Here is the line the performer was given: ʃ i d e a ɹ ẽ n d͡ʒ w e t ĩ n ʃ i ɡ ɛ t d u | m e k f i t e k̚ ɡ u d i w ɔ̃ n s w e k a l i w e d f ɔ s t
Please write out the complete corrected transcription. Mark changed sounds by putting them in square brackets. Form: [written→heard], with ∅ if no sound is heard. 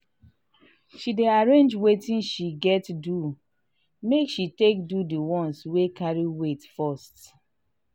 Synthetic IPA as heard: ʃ i d e a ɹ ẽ n d͡ʒ w e t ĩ n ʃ i ɡ ɛ t d u | m e k [f→ʃ] i t e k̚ [ɡ→d] u d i w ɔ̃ n s w e k a [l→ɹ] i w e [d→t] f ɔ s t

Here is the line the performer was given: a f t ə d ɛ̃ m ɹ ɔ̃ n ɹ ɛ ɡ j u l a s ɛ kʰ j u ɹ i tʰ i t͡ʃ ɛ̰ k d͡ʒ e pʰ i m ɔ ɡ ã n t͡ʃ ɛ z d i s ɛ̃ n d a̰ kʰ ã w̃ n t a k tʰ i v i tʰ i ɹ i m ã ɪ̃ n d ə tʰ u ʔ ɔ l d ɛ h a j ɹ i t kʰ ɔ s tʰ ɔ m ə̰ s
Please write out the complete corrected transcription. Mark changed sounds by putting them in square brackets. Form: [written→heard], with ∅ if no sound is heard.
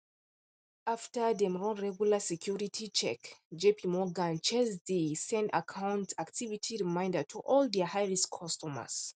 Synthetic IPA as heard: a f t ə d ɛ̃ m ɹ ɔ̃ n ɹ ɛ ɡ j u l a s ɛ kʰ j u ɹ i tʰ i t͡ʃ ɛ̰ k d͡ʒ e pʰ i m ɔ ɡ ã n t͡ʃ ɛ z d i s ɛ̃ n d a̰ kʰ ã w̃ n t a k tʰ i v i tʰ i ɹ i m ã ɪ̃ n d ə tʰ u ʔ ɔ l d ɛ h a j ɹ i [t→s] kʰ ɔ s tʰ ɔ m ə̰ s

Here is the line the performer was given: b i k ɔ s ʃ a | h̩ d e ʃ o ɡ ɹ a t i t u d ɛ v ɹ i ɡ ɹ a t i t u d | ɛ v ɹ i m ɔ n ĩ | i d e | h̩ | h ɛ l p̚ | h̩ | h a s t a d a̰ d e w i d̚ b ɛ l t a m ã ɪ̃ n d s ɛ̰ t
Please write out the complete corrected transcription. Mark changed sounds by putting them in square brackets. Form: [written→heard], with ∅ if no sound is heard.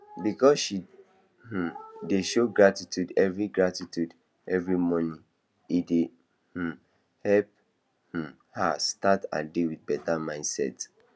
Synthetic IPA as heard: b i k ɔ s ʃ [a→i] | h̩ d e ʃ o ɡ ɹ a t i t u d ɛ v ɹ i ɡ ɹ a t i t u d | ɛ v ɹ i m ɔ n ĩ | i d e | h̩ | h ɛ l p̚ | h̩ | h a s t a [d→t] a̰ d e w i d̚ b ɛ [l→∅] t a m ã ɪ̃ n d s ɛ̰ t

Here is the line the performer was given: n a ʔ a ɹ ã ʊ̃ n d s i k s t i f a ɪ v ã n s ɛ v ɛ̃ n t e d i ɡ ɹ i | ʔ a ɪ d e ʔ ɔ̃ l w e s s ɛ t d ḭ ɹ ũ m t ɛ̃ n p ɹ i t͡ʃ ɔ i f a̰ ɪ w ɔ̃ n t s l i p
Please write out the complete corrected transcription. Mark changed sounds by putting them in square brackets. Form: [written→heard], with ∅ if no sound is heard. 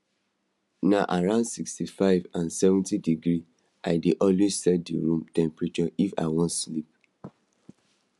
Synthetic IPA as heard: n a ʔ a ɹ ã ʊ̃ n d s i k s t i f a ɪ v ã n s ɛ v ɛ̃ n t [e→i] d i ɡ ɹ i | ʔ a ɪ d e ʔ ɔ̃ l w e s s ɛ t d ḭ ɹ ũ m t ɛ̃ [n→m] p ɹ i t͡ʃ ɔ i f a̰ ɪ w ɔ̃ n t s l i p

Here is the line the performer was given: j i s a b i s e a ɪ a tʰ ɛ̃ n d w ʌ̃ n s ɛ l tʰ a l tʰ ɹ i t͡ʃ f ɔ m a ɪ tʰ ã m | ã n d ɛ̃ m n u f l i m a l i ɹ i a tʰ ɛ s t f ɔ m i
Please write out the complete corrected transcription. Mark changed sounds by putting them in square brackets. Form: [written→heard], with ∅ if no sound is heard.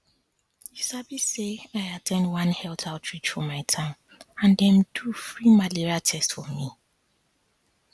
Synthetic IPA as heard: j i s a b i s e a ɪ a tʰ ɛ̃ n d w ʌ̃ n [s→h] ɛ l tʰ a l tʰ ɹ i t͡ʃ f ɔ m a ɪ tʰ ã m | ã n d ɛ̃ m [n→d] u f [l→ɹ] i m a l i ɹ i a tʰ ɛ s t f ɔ m i

